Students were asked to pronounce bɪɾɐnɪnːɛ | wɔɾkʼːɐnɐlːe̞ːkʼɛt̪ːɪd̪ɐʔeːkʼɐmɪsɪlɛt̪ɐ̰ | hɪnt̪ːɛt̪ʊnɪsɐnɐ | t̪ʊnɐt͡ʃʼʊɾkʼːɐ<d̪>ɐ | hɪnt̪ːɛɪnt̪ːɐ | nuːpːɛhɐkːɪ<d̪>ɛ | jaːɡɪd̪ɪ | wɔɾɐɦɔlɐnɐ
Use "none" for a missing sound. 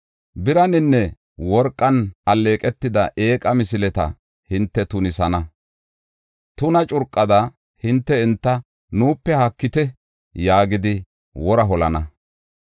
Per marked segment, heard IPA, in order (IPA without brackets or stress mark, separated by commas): d̪, t̪